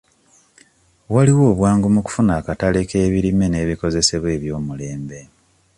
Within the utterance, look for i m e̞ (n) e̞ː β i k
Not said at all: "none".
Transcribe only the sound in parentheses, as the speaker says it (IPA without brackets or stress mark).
n